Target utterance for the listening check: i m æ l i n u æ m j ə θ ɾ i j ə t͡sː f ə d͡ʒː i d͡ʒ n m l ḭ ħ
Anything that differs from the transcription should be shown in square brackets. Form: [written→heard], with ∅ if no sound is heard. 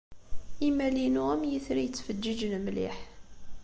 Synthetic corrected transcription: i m æ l i n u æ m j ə θ ɾ i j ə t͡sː f ə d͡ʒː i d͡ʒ n m l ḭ ħ